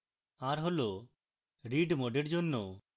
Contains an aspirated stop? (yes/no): no